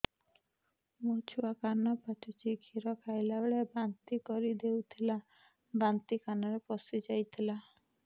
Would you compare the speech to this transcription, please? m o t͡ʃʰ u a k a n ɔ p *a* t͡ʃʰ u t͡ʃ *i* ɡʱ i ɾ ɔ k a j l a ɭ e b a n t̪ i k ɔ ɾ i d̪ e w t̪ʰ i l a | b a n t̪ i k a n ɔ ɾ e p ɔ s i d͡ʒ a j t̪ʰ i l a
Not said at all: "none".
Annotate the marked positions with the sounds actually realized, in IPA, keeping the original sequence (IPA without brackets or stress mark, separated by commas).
a, i